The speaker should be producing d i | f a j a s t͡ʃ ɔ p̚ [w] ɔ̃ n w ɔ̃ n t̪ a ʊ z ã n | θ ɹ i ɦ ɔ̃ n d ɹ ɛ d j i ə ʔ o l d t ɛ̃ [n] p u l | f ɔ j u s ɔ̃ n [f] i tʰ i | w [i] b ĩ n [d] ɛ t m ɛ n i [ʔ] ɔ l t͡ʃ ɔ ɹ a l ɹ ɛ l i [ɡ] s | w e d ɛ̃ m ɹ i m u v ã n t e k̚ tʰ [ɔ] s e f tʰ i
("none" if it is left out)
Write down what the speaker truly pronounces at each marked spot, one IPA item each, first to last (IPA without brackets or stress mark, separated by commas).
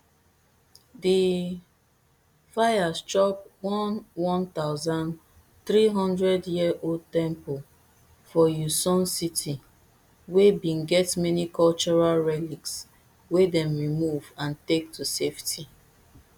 w, m, s, e, ɡ, k, k, u